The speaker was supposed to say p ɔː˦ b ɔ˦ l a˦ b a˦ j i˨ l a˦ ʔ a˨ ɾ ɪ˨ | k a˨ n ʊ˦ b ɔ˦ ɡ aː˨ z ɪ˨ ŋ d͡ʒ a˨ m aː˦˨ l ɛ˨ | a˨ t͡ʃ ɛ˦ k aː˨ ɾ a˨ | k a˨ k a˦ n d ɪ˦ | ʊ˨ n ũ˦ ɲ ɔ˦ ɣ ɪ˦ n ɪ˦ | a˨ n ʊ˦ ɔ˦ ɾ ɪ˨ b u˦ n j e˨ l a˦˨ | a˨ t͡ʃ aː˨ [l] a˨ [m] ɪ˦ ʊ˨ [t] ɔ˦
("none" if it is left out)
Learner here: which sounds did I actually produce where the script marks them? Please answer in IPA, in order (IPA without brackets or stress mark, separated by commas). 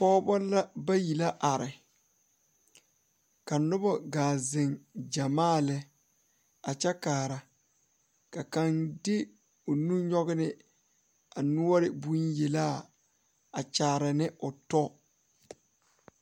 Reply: ɾ, n, t